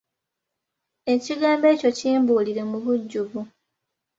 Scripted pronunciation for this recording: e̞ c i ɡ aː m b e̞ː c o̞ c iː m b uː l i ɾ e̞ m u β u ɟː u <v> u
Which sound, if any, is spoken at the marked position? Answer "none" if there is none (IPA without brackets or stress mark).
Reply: β